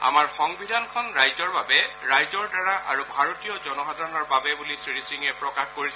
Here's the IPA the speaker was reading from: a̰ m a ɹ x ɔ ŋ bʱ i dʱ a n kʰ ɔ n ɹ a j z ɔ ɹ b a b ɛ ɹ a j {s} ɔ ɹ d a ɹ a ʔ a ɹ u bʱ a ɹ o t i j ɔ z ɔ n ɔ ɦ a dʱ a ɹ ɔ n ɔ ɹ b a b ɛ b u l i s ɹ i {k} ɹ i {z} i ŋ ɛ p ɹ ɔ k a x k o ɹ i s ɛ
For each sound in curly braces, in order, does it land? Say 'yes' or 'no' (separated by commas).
no, no, no